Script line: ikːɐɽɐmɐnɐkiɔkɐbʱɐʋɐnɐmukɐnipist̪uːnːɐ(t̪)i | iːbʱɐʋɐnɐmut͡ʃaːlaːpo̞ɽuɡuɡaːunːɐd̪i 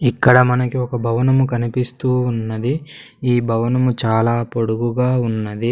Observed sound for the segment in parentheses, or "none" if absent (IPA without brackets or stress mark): d̪